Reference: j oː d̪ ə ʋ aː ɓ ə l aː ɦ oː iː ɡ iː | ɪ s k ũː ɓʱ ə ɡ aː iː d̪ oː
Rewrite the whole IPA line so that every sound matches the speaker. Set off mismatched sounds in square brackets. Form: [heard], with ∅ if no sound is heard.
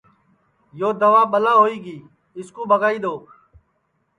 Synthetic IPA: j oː d̪ ə ʋ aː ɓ ə l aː ɦ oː iː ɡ iː | ɪ s k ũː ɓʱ ə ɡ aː iː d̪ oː